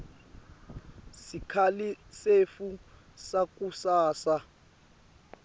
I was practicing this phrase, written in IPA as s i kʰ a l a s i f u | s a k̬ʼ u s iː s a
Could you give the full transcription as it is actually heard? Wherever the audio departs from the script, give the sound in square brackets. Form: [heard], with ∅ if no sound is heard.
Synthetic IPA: s i kʰ a l [i] s [e] f u | s a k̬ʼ u s [aː] s a

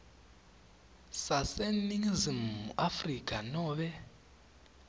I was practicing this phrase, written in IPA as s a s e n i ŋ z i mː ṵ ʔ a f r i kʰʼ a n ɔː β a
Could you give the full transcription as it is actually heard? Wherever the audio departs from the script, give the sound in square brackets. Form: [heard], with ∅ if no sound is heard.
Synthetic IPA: s a s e n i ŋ z i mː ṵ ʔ a f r i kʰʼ a n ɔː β [ɛ]

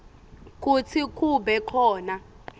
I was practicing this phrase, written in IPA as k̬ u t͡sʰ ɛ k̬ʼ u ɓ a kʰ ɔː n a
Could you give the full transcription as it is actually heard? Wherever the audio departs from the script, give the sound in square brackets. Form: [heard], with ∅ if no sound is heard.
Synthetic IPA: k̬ u t͡sʰ [i] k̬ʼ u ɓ [ɛ] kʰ ɔː n a

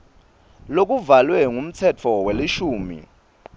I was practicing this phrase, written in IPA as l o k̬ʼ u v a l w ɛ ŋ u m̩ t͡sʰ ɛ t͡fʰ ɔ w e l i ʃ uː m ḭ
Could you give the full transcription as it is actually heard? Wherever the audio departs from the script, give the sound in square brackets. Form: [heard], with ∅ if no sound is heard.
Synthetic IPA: l o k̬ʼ u v a l w ɛ ŋ u m̩ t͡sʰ ɛ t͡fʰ ɔ w e l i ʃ uː m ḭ

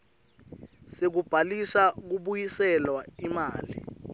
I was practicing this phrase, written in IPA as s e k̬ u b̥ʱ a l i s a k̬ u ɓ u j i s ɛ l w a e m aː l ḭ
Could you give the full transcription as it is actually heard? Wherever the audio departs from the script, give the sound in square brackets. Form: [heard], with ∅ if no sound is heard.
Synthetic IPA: s e k̬ u b̥ʱ a l i s a k̬ u ɓ u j i s ɛ l w a [i] m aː l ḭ

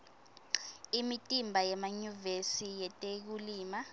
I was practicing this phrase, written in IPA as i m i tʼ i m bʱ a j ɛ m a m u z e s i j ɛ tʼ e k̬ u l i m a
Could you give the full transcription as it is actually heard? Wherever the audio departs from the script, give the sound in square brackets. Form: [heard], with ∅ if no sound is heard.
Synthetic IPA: i m i tʼ i m bʱ a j ɛ m a [ɲ] u [v] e s i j ɛ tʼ e k̬ u l [iː] m a

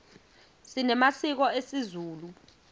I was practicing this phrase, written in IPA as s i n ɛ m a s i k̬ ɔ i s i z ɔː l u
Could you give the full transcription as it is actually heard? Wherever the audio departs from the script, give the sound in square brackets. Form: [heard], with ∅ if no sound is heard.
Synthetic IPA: s i n ɛ m a s i k̬ ɔ [e] s i z [uː] l u

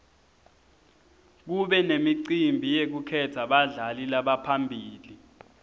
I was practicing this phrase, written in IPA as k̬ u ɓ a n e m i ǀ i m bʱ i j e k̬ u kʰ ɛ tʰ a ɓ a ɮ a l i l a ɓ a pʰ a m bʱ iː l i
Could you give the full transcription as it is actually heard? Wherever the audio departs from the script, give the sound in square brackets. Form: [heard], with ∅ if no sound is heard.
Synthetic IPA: k̬ u ɓ [ɛ] n e m i ǀ i m bʱ i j e k̬ u kʰ ɛ tʰ a ɓ a ɮ a l i l a ɓ a pʰ a m bʱ iː l i

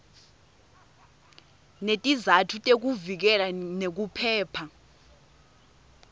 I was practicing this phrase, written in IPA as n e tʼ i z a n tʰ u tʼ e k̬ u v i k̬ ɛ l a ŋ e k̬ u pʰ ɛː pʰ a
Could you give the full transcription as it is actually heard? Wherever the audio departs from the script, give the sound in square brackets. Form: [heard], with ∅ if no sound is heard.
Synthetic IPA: n e tʼ i z a [∅] tʰ u tʼ e k̬ u v i k̬ ɛ l a [n] e k̬ u pʰ ɛː pʰ a

